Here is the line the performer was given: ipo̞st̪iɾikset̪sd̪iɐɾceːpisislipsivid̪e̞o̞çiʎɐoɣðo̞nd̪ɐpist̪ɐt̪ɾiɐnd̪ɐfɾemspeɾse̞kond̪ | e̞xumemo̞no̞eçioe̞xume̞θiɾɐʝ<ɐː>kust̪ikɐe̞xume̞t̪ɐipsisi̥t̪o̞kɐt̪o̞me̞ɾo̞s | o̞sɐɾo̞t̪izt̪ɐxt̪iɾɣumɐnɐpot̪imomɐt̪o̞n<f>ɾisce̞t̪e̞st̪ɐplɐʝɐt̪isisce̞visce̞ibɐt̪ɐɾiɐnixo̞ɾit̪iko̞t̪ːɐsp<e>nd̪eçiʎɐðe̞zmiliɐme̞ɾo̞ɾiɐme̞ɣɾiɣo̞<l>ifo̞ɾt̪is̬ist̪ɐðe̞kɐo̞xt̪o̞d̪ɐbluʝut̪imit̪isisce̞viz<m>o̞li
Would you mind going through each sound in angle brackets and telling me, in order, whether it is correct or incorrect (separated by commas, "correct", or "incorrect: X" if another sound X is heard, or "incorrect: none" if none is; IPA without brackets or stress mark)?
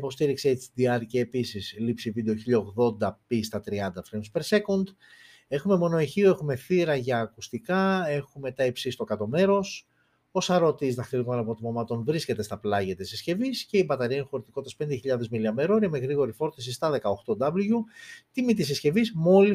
correct, incorrect: v, correct, incorrect: ɾ, correct